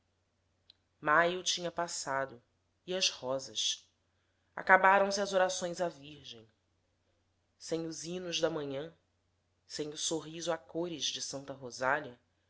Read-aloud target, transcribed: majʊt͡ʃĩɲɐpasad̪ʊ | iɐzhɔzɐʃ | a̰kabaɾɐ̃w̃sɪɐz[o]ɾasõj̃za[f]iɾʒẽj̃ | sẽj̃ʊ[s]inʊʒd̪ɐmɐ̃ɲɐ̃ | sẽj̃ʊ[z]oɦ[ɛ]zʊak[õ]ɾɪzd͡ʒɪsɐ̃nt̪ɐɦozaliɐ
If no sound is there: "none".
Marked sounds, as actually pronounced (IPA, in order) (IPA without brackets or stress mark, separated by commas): o, v, z, s, i, o